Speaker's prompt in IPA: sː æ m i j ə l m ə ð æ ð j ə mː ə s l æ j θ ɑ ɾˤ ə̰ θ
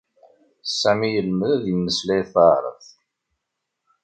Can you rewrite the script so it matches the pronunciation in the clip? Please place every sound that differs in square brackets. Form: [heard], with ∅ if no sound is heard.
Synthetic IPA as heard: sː æ m i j ə l m ə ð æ ð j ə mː ə s l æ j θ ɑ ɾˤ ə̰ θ